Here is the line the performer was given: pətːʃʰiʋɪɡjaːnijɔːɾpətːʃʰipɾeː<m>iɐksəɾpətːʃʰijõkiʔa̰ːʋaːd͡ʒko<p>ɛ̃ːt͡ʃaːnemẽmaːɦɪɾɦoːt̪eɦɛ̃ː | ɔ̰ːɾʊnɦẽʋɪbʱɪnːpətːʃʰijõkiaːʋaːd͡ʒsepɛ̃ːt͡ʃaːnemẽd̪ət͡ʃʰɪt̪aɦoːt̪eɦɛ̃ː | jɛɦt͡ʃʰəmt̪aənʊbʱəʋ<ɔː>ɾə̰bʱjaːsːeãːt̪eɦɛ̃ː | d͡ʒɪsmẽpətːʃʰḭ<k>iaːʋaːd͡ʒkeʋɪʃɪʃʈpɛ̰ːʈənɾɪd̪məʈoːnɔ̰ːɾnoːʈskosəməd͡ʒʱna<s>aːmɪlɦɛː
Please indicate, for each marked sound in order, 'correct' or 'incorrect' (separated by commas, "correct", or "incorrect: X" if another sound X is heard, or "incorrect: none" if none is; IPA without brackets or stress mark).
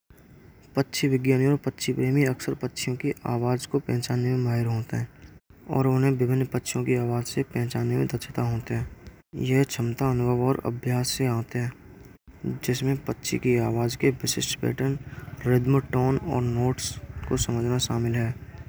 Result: correct, correct, correct, correct, incorrect: ʃ